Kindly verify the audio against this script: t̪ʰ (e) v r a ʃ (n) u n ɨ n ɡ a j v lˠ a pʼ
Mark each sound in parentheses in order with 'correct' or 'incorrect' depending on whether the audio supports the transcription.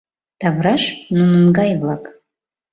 incorrect: a, correct

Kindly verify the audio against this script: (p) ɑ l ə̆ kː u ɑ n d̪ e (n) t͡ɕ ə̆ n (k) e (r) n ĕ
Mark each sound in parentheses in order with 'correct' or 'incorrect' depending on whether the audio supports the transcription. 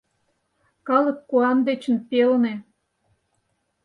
incorrect: k, incorrect: none, incorrect: p, incorrect: l

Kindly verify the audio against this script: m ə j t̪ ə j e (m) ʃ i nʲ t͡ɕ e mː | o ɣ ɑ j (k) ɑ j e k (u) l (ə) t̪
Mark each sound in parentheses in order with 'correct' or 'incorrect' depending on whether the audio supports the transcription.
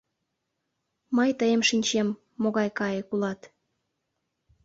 correct, correct, correct, incorrect: ɑ

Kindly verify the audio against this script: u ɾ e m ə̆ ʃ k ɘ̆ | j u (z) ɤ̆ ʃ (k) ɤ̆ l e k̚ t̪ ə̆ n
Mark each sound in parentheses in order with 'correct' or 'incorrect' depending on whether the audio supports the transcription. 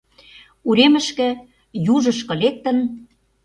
incorrect: ʒ, correct

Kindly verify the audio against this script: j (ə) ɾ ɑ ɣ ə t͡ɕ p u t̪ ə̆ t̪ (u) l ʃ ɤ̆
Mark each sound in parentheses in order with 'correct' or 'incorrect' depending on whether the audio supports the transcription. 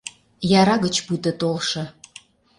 incorrect: ɑ, incorrect: o

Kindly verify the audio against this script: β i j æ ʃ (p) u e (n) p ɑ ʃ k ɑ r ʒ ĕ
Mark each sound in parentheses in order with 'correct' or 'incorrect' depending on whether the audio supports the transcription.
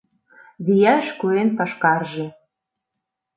incorrect: k, correct

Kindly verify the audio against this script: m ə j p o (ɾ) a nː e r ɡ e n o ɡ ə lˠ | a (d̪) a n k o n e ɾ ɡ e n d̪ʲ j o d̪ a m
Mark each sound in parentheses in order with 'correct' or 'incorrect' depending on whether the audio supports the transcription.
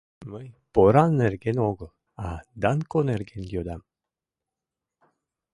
correct, correct

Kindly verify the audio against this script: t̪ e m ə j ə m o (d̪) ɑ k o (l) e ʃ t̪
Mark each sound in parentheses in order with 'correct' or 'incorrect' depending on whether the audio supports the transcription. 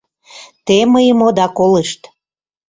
correct, correct

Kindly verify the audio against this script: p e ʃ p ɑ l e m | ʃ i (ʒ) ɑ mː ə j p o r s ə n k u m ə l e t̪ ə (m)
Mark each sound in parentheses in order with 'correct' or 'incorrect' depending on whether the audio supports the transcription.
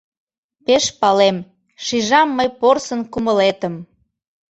correct, correct

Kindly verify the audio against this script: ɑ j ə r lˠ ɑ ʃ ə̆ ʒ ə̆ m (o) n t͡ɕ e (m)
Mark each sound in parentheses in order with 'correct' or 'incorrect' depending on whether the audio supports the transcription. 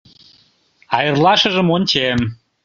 correct, correct

